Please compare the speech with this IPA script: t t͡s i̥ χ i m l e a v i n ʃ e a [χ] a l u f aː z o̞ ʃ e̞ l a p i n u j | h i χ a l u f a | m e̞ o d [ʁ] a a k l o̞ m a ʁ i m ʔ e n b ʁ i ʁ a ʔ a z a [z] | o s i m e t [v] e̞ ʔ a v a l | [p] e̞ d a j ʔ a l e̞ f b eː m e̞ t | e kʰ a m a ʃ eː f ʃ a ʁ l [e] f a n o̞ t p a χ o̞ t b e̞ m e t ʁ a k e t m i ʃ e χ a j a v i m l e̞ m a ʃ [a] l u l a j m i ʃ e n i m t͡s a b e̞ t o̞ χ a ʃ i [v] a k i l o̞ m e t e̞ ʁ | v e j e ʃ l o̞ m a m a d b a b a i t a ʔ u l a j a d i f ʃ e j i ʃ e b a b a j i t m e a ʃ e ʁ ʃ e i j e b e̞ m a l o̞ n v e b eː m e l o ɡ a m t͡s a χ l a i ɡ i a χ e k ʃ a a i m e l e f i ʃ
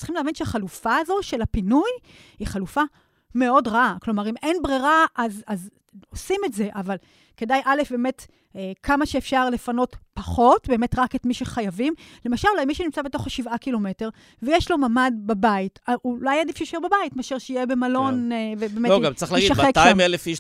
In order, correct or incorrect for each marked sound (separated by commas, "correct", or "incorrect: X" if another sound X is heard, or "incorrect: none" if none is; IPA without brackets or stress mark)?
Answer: correct, correct, correct, incorrect: z, incorrect: k, correct, correct, correct